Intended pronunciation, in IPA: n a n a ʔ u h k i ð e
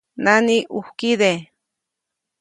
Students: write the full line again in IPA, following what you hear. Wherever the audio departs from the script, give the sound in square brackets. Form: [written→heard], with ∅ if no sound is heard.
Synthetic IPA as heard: n a n [a→i] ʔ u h k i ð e